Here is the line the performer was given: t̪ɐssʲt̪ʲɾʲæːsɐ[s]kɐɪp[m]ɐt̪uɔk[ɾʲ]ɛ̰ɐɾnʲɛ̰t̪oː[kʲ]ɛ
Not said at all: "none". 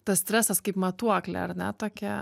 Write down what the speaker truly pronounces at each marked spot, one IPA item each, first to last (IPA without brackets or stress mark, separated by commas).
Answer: s, m, lʲ, kʲ